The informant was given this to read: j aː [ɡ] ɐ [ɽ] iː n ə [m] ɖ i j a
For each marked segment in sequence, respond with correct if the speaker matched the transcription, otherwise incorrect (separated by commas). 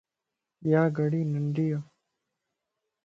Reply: correct, correct, incorrect